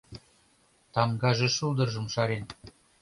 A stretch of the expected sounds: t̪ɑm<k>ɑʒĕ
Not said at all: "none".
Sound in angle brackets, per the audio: ɡ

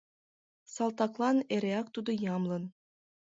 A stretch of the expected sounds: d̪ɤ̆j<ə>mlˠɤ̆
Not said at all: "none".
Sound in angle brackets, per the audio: ɑ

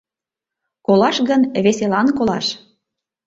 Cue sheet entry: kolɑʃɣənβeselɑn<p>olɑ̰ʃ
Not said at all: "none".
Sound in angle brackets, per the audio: k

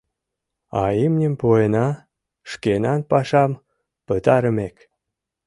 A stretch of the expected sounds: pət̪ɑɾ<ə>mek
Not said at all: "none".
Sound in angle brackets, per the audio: ə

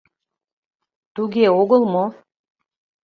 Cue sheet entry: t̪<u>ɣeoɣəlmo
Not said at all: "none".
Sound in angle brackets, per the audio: u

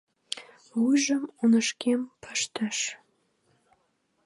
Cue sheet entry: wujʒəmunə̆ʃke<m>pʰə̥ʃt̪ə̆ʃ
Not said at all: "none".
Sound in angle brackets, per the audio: m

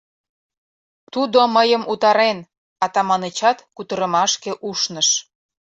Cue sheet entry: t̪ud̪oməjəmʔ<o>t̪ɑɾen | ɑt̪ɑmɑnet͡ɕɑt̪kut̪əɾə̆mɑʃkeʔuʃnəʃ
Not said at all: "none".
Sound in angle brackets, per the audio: u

